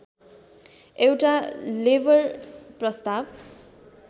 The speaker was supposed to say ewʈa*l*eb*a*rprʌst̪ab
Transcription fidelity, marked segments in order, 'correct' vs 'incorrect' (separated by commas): correct, incorrect